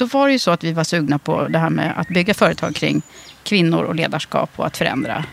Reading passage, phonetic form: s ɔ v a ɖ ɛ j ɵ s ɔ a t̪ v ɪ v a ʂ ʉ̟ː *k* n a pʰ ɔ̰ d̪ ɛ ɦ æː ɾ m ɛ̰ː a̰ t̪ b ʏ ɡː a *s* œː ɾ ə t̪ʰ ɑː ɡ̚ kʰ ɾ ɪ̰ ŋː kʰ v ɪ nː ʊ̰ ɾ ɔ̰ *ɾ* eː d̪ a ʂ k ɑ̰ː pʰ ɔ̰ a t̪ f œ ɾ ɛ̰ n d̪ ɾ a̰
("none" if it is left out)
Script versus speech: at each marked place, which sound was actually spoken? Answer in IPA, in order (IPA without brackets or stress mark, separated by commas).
ɡ, f, l